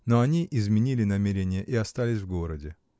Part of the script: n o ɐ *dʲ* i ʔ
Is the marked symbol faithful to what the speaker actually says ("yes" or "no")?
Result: no